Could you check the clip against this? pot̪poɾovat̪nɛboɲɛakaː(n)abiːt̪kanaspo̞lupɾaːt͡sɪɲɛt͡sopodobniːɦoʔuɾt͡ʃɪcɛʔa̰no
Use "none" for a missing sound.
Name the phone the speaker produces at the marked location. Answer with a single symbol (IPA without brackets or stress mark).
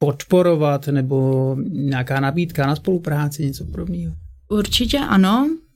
n